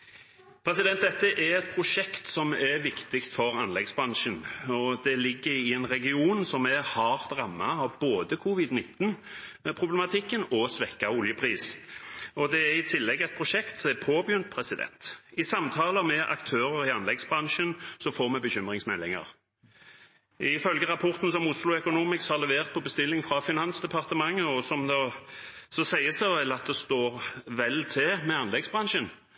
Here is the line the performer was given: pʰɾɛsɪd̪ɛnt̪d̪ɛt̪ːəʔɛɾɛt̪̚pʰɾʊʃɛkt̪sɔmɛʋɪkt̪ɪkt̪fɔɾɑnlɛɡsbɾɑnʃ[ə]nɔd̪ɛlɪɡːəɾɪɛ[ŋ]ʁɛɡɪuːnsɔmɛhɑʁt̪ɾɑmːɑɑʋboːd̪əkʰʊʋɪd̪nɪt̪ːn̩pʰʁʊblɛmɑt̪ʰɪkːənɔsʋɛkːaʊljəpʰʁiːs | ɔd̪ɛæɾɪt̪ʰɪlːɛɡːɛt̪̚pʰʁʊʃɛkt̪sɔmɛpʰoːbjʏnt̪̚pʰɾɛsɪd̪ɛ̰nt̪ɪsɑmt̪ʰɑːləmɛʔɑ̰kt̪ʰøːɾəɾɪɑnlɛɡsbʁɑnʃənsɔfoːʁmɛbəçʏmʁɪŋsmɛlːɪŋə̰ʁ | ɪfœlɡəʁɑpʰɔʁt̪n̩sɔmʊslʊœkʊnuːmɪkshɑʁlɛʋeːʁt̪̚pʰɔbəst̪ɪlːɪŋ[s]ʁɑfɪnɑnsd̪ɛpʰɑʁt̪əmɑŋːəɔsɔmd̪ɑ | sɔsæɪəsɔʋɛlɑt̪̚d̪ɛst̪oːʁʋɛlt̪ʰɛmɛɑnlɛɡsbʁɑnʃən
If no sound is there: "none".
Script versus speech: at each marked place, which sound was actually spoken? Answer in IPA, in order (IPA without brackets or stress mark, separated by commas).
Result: ə, n, f